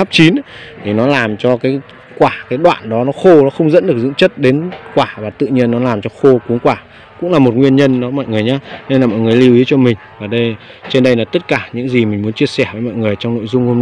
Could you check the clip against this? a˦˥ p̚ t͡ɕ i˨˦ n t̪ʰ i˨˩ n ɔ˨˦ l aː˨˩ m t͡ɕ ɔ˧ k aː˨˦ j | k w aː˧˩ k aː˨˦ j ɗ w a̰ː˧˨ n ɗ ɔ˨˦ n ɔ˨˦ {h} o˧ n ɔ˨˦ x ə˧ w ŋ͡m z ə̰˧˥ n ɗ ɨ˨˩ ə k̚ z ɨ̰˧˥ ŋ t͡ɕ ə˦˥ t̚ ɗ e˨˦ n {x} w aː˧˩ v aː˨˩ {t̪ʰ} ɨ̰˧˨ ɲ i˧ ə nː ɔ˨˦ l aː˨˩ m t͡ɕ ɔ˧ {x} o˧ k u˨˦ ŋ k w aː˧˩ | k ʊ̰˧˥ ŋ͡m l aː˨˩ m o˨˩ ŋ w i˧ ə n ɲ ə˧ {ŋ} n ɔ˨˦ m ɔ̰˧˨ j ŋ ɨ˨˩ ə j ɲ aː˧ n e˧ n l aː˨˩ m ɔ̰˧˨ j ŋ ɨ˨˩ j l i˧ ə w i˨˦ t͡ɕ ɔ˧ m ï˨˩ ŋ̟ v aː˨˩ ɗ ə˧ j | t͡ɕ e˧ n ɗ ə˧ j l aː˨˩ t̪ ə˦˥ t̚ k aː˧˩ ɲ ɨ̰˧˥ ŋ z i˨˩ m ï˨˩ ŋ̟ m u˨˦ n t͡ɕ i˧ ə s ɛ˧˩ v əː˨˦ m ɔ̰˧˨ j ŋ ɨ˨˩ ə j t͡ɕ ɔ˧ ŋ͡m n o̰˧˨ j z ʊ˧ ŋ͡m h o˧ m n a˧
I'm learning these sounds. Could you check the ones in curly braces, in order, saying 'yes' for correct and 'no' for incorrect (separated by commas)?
no, no, no, yes, no